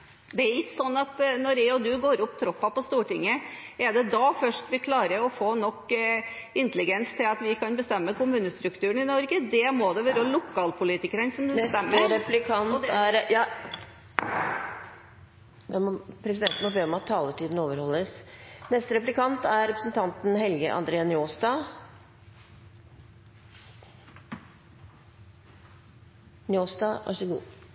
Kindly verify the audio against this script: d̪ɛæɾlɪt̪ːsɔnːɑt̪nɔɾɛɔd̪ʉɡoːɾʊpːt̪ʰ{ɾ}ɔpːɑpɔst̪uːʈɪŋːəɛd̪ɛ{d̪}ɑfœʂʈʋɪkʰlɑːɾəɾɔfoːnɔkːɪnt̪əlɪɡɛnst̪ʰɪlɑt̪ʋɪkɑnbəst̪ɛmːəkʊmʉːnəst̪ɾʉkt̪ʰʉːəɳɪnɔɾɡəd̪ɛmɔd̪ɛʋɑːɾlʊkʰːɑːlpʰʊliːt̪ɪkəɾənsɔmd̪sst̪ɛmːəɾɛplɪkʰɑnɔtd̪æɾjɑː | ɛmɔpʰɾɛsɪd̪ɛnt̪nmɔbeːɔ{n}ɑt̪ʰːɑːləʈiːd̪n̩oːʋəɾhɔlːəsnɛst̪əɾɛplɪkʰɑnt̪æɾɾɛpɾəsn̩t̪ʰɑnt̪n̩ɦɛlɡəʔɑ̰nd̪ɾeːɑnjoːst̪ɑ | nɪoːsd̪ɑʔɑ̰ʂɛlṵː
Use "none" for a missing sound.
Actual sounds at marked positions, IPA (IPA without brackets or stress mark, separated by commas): ɾ, d̪, m